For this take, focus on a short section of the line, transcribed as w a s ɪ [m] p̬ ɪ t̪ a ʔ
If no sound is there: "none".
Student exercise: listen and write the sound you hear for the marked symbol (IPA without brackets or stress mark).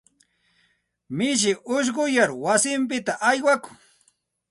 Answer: m